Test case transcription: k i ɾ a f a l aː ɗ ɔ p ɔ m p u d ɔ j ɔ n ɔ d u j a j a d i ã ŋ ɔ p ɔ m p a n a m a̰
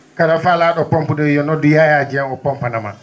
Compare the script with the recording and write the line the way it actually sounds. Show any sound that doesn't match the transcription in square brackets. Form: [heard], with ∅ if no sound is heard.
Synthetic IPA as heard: k [a] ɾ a f a l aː ɗ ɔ p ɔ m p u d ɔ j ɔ n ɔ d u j a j a [d͡ʒ] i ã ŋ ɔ p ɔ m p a n a m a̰